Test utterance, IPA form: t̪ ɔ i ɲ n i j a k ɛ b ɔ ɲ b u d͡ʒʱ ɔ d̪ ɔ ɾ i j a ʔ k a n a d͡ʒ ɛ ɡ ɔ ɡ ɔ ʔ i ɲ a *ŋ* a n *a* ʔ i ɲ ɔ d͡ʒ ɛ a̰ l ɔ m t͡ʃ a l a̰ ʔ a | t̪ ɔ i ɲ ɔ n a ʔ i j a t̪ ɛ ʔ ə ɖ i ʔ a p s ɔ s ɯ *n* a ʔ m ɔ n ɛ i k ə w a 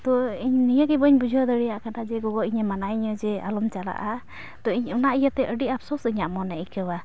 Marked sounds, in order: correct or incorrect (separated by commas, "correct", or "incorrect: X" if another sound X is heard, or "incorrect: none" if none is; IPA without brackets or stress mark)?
incorrect: m, correct, incorrect: ɲ